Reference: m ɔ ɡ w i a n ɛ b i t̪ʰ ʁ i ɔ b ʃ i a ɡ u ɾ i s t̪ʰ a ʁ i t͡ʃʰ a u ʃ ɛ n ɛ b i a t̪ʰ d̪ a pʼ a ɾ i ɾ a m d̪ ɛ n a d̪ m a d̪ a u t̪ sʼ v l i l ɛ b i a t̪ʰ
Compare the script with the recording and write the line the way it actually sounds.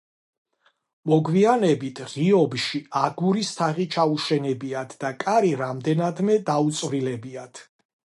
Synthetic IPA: m ɔ ɡ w i a n ɛ b i t̪ʰ ʁ i ɔ b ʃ i a ɡ u ɾ i s t̪ʰ a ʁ i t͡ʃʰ a u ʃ ɛ n ɛ b i a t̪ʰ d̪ a kʼ a ɾ i ɾ a m d̪ ɛ n a d̪ m ɛ d̪ a u t̪ sʼ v ɾ i l ɛ b i a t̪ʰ